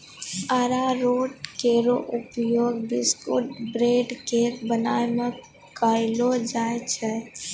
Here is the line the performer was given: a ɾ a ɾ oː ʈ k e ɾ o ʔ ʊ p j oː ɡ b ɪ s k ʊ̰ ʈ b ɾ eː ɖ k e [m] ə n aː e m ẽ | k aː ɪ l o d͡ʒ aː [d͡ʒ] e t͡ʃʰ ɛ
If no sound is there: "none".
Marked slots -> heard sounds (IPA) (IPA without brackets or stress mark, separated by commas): b, none